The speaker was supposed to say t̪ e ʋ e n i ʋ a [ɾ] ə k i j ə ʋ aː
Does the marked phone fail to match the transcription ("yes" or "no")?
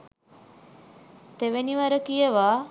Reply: no